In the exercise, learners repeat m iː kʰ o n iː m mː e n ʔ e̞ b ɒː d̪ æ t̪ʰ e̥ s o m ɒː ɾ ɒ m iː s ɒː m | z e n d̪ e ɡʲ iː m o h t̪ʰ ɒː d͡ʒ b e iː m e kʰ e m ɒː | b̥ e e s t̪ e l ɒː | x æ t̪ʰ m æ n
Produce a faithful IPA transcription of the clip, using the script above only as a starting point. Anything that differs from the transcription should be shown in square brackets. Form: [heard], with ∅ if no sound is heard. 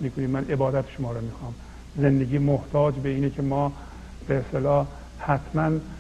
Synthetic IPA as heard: m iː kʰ o n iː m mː [æ] n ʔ e̞ b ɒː d̪ æ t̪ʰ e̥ [ʃ] o m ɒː ɾ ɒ m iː [x] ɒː m | z e n d̪ e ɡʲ iː m o h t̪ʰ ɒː d͡ʒ b e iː [n] e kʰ e m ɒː | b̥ e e s t̪ e l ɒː | [h] æ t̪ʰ m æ n